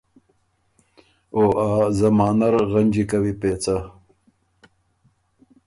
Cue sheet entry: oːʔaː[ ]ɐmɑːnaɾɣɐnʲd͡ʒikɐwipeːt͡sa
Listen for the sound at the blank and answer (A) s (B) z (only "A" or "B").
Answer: B